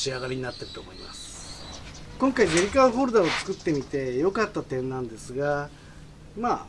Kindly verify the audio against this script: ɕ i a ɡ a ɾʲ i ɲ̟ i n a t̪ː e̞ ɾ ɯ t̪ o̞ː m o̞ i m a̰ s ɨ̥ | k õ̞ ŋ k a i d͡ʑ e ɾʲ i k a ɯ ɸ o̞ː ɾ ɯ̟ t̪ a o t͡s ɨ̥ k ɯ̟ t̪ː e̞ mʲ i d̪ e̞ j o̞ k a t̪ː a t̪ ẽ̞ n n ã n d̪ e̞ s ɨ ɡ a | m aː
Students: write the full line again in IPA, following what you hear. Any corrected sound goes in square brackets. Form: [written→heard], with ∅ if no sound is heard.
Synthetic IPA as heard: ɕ i a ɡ a ɾʲ i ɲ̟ i n a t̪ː e̞ ɾ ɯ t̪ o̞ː m o̞ i m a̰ s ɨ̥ | k õ̞ ŋ k a i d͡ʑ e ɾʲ i k a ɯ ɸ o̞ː ɾ ɯ̟ [t̪→d̪] a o t͡s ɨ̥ k ɯ̟ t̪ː e̞ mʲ i [d̪→t̪] e̞ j o̞ k a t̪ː a t̪ ẽ̞ n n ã n d̪ e̞ s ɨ ɡ a | m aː